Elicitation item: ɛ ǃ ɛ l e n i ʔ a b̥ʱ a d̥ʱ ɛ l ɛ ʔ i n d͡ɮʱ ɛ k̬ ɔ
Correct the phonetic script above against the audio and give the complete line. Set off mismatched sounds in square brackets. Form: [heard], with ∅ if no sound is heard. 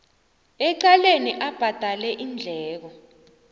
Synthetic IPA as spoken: ɛ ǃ [a] l e n i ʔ a b̥ʱ a d̥ʱ [a] l ɛ ʔ i n d͡ɮʱ [ɛː] k̬ ɔ